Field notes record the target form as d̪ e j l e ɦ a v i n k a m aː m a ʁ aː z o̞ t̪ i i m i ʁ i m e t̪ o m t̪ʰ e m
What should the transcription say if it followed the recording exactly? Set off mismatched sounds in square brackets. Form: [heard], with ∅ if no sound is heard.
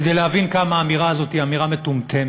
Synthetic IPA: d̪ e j l e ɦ a v i n k a m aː m [i] ʁ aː z o̞ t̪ i [a] m i ʁ [a] m e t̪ [u] m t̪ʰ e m